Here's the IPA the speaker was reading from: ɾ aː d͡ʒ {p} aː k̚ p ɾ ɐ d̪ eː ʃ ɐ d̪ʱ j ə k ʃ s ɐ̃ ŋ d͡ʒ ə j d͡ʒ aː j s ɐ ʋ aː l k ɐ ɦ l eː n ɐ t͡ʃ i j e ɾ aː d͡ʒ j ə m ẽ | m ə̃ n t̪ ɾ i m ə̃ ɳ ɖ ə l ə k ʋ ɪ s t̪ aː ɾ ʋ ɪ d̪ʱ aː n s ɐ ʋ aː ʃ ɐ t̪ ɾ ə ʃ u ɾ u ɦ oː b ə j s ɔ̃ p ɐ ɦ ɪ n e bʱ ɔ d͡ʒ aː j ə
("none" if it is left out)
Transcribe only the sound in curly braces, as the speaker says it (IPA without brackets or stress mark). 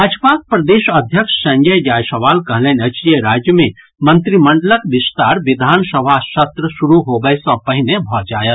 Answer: p